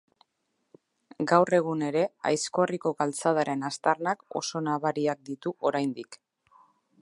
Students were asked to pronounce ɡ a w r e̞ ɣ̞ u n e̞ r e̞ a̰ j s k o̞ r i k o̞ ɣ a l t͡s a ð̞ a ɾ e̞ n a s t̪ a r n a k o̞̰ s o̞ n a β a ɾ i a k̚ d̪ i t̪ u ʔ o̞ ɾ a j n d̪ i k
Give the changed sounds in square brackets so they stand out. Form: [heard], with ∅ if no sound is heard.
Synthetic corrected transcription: ɡ a w r e̞ ɣ̞ u n e̞ [ɾ] e̞ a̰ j s k o̞ r i k o̞ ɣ a l t͡s a ð̞ a ɾ e̞ n a s t̪ a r n a k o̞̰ s o̞ n a β a ɾ i a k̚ d̪ i t̪ u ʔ o̞ ɾ a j n d̪ i k